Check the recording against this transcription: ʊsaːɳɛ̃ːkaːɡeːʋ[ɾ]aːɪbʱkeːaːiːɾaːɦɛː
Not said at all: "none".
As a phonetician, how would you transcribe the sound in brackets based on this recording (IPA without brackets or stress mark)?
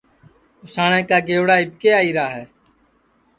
ɽ